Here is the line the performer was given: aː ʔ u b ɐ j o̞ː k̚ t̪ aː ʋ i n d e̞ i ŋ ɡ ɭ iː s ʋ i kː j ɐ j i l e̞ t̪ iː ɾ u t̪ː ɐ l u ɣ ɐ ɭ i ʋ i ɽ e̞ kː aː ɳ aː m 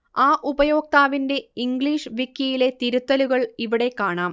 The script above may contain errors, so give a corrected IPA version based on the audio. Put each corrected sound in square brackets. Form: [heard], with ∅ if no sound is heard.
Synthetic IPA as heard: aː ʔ u b ɐ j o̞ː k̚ t̪ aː ʋ i n d e̞ i ŋ ɡ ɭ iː [ʂ] ʋ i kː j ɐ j i l e̞ t̪ [i] ɾ u t̪ː ɐ l u ɣ ɐ ɭ i ʋ i ɽ e̞ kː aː ɳ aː m